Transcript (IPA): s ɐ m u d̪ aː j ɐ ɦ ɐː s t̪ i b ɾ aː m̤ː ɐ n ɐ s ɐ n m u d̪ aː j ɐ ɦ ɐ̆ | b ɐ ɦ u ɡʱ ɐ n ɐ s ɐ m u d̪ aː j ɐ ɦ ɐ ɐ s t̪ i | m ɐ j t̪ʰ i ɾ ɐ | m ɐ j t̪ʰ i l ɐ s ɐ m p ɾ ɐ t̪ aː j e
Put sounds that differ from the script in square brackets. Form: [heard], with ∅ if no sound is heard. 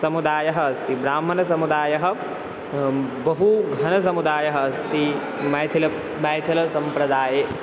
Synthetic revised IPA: s ɐ m u d̪ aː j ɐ ɦ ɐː s t̪ i b ɾ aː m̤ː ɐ n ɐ s ɐ [∅] m u d̪ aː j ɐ ɦ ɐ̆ | b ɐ ɦ u ɡʱ ɐ n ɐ s ɐ m u d̪ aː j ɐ ɦ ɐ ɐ s t̪ i | m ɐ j t̪ʰ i [l] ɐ | m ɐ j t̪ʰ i l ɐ s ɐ m p ɾ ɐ [d̪] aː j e